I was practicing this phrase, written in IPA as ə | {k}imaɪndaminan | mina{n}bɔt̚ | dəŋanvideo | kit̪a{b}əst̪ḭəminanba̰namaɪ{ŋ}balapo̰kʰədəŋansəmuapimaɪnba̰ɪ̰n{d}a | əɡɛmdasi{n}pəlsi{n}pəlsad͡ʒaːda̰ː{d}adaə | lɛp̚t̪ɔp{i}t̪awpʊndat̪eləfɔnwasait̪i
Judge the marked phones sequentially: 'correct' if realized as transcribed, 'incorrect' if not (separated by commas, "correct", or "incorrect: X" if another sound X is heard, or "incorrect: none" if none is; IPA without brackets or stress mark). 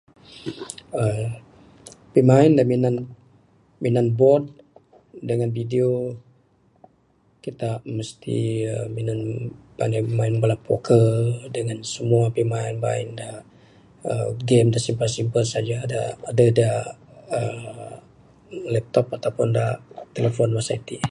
incorrect: p, correct, incorrect: m, incorrect: n, correct, incorrect: m, incorrect: m, correct, incorrect: a